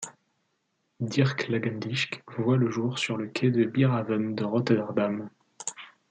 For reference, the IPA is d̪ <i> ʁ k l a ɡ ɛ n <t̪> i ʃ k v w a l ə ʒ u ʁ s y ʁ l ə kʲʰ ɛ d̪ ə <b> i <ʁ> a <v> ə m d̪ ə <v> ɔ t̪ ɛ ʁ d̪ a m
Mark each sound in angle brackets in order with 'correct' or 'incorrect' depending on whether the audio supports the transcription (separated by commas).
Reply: correct, incorrect, correct, correct, correct, incorrect